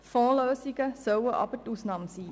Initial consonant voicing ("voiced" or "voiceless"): voiceless